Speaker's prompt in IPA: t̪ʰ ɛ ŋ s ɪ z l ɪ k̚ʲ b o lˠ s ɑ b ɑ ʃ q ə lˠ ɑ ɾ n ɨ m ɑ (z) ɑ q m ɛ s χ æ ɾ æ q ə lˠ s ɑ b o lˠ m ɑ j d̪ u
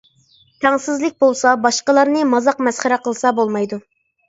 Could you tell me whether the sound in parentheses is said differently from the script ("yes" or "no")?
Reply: no